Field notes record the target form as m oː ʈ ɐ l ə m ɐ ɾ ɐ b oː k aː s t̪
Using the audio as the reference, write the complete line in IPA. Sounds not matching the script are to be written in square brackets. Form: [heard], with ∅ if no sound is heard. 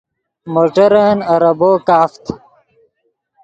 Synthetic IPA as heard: m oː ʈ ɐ [ɾ] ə [n] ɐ ɾ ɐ b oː k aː [f] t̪